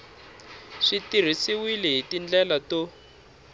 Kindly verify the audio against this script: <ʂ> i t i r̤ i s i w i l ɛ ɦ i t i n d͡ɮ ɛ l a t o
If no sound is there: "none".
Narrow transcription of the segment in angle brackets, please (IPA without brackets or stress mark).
ʂ